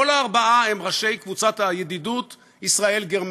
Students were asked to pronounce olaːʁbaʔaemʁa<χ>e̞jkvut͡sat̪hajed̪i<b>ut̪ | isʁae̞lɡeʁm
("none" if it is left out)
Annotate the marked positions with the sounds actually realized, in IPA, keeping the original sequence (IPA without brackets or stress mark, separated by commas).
ʃ, d